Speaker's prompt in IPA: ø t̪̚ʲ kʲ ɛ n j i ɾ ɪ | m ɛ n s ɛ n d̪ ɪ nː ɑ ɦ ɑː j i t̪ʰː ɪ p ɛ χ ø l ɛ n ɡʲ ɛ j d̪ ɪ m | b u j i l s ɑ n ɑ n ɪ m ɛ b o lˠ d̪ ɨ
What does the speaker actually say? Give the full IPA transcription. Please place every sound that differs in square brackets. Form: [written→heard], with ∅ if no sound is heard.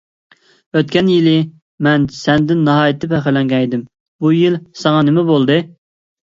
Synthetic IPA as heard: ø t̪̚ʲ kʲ ɛ n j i [ɾ→l] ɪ | m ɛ n s ɛ n d̪ ɪ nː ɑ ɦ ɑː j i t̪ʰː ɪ p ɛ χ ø l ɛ [n→ŋ] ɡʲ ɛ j d̪ ɪ m | b u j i l s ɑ [n→ŋ] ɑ n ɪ m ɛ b o lˠ d̪ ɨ

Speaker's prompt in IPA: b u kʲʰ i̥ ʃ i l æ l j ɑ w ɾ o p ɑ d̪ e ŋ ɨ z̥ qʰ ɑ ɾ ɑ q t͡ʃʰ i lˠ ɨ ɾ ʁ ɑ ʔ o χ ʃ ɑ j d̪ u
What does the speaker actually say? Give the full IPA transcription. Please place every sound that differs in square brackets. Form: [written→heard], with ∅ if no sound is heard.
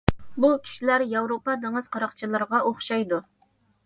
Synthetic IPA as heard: b u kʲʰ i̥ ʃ i l æ [l→ɾ] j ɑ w ɾ o p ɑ d̪ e ŋ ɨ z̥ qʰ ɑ ɾ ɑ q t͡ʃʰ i lˠ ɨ ɾ ʁ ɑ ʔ o χ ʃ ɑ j d̪ u

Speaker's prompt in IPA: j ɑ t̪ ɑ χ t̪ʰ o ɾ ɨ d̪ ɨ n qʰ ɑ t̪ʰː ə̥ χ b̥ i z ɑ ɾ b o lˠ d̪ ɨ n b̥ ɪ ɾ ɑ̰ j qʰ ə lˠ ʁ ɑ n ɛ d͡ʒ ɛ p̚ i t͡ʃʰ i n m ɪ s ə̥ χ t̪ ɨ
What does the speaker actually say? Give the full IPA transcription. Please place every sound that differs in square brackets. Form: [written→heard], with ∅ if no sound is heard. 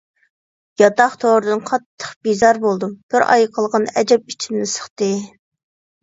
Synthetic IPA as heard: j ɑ t̪ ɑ χ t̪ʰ o ɾ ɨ d̪ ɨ n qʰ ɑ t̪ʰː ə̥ χ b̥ i z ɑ ɾ b o lˠ d̪ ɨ [n→m] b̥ ɪ ɾ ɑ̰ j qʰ ə lˠ ʁ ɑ n ɛ d͡ʒ ɛ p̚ i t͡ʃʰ i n [m→n] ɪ s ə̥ χ t̪ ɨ

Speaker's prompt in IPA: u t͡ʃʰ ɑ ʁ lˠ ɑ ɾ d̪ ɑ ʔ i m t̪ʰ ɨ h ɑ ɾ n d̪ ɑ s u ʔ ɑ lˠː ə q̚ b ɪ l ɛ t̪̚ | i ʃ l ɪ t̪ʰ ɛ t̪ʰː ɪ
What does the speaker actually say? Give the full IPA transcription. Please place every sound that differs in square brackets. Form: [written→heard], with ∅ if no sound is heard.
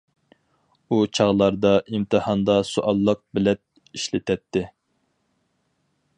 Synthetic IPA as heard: u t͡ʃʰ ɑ ʁ lˠ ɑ ɾ d̪ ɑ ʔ i m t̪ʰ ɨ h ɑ [ɾ→∅] n d̪ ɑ s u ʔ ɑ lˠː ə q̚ b ɪ l ɛ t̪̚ | i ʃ l ɪ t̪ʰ ɛ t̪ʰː ɪ

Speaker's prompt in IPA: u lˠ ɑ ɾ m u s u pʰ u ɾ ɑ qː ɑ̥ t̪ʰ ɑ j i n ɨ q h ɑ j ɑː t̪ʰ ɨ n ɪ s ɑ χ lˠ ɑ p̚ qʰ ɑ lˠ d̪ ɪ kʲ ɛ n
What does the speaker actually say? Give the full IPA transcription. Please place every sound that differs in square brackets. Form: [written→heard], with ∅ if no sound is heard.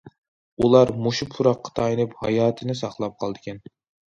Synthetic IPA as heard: u lˠ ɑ ɾ m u [s→ʃ] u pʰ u ɾ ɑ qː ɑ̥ t̪ʰ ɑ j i n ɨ [q→p] h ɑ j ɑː t̪ʰ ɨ n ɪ s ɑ χ lˠ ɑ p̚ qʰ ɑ lˠ d̪ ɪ kʲ ɛ n

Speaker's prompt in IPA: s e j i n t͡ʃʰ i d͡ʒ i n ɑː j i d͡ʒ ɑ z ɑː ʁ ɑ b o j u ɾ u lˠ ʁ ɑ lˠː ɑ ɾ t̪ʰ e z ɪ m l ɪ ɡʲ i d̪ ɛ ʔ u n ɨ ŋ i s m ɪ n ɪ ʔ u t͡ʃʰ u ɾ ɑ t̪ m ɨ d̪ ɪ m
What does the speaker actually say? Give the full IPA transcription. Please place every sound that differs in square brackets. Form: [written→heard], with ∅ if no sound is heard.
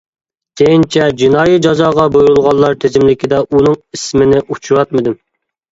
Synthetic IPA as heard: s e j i n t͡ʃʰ [i→ɛ] d͡ʒ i n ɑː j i d͡ʒ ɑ z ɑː ʁ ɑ b o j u ɾ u lˠ ʁ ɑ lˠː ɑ ɾ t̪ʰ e z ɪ m l ɪ [ɡʲ→kʲ] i d̪ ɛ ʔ u n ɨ ŋ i s m ɪ n ɪ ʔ u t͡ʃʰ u ɾ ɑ t̪ m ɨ d̪ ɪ m

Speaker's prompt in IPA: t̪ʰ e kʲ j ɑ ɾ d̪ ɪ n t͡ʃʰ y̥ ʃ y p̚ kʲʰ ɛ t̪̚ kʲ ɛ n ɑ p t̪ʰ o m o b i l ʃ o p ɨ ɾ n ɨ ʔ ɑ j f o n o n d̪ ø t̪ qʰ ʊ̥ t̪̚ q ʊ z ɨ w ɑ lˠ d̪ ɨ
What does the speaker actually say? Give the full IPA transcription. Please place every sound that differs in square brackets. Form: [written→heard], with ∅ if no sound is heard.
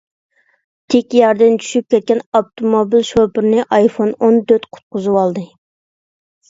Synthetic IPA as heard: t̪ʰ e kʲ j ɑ ɾ d̪ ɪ n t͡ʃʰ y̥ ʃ y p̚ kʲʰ ɛ t̪̚ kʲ ɛ n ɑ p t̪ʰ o m o b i l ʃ o p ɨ ɾ n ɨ ʔ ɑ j f o n o n d̪ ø t̪ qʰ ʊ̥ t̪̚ q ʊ z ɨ w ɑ lˠ d̪ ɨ

